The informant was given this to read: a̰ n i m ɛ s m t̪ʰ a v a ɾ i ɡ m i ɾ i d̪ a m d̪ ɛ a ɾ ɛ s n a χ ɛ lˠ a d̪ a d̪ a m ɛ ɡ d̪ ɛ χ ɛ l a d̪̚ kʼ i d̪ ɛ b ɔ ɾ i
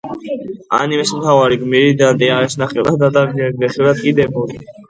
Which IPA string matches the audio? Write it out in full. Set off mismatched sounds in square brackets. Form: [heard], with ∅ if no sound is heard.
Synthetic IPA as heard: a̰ n i m ɛ s m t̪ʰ a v a ɾ i ɡ m i ɾ i d̪ a [n] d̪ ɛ a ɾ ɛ s n a χ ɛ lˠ a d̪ a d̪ a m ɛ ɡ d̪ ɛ χ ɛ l a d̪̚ kʼ i d̪ ɛ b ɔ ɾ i